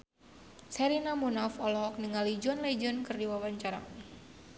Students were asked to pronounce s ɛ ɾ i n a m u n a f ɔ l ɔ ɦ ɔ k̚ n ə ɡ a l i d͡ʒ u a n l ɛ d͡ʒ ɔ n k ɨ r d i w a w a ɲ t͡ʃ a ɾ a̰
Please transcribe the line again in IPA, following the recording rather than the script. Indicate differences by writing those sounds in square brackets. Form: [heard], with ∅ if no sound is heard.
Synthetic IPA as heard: s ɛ ɾ i n a m u n a f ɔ l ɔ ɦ ɔ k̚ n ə [ŋ] a l i d͡ʒ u a n l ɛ d͡ʒ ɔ n k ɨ r d i w a w a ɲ t͡ʃ a ɾ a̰